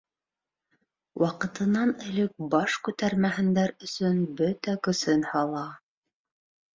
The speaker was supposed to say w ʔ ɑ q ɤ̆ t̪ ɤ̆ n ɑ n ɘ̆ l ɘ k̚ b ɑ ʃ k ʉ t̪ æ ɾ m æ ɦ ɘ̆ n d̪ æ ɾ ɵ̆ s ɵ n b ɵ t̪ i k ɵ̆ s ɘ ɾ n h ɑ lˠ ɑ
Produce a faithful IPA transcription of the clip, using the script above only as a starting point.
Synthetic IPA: w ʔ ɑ q ɤ̆ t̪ ɤ̆ n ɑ n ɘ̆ l ɘ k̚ b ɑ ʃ k ʉ t̪ æ ɾ m æ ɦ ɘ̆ n d̪ æ ɾ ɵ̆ s ɵ n b ɵ t̪ æ k ɵ̆ s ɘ n h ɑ lˠ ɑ